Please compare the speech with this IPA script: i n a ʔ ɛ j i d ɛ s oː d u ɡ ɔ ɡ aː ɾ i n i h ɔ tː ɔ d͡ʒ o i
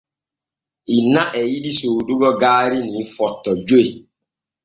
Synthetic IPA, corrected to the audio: i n a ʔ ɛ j i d i s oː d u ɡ ɔ ɡ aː ɾ i n i f ɔ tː ɔ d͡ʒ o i